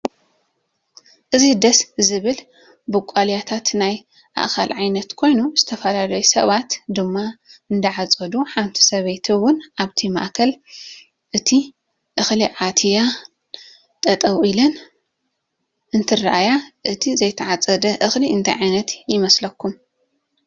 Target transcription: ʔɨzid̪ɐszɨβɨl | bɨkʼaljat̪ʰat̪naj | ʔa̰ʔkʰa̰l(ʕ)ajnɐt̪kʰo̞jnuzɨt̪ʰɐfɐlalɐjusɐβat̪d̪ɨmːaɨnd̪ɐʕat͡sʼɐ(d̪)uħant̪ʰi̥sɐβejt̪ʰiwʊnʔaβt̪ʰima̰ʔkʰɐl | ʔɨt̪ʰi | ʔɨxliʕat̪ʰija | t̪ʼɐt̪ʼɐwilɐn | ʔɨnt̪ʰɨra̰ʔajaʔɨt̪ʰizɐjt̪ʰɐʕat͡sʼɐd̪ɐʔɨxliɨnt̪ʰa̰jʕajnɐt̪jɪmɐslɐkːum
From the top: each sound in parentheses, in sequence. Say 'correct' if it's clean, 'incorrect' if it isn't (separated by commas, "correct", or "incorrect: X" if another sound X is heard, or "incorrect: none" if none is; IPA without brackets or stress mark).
correct, correct